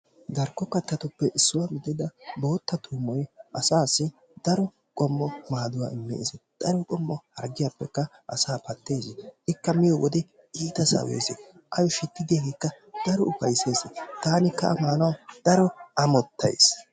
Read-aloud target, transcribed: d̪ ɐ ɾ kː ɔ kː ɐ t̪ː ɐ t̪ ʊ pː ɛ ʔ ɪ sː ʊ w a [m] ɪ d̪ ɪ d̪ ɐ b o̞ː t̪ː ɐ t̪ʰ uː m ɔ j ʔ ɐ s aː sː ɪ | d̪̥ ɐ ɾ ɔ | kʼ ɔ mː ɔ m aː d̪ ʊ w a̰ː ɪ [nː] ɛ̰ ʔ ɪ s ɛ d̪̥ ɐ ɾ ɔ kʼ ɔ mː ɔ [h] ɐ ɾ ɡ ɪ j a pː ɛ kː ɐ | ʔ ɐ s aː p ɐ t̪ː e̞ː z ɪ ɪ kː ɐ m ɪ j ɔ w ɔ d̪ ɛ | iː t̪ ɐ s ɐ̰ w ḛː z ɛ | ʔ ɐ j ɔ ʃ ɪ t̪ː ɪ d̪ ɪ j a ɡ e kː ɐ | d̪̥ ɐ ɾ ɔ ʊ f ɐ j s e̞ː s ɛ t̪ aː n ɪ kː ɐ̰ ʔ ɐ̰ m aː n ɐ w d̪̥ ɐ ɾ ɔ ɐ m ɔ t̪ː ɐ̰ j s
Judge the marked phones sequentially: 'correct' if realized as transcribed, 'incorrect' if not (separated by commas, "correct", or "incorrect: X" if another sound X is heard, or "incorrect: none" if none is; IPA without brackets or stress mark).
correct, incorrect: mː, correct